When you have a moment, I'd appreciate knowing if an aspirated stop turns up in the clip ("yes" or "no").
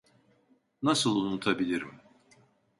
yes